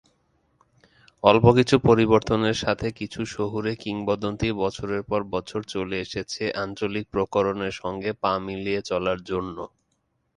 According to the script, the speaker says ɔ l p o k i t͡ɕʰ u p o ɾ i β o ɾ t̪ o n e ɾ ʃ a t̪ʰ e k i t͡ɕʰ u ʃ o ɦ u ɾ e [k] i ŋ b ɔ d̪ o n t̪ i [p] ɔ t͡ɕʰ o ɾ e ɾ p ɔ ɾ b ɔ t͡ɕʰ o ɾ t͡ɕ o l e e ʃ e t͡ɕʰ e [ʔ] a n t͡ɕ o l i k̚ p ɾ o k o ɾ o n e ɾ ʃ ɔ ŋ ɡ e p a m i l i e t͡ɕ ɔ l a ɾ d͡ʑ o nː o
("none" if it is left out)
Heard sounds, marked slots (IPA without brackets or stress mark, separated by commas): k, b, ʔ